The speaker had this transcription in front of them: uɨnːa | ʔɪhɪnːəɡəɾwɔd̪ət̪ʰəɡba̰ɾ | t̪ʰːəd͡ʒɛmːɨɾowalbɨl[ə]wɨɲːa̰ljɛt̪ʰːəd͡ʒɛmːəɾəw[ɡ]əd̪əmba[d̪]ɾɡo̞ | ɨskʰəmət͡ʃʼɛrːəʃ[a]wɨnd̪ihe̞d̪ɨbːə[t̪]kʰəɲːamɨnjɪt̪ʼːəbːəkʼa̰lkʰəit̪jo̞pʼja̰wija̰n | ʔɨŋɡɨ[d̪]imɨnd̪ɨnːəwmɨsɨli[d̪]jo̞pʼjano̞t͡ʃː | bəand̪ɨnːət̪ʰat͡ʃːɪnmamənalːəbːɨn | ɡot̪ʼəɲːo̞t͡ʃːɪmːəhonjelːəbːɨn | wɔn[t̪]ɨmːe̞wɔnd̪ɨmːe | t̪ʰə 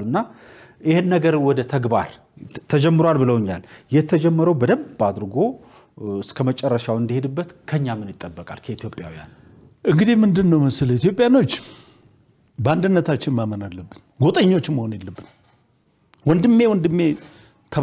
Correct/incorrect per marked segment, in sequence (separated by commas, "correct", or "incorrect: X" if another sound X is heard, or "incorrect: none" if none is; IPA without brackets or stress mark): correct, incorrect: b, correct, correct, correct, correct, incorrect: t̪, incorrect: d̪